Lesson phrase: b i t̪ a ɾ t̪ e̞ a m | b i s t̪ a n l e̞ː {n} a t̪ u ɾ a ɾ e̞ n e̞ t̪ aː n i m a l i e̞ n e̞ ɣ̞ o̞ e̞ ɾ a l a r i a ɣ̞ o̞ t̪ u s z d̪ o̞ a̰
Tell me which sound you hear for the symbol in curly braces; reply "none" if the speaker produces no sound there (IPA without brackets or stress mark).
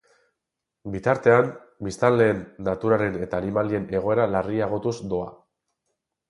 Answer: nː